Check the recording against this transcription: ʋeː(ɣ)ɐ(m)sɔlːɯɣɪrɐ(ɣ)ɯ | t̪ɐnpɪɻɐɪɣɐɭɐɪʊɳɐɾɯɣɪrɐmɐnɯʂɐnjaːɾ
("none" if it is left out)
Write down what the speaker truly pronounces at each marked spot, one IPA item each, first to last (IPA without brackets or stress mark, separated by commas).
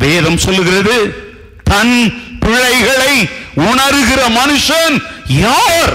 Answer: ð, m, ð